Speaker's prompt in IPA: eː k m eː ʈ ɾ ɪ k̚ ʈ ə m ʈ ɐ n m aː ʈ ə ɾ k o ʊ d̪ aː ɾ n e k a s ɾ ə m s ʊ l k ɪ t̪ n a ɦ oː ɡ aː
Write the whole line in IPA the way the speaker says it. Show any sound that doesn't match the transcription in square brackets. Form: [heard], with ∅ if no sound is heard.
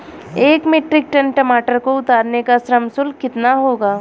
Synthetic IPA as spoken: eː k m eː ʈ ɾ ɪ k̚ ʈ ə [n] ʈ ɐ [∅] m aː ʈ ə ɾ k o ʊ [t̪] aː ɾ n e k a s ɾ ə m s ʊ l k ɪ t̪ n a ɦ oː ɡ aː